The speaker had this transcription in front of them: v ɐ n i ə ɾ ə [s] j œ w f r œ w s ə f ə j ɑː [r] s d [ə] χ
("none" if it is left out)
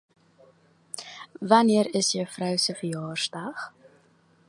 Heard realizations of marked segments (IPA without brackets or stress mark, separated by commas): s, r, ɐ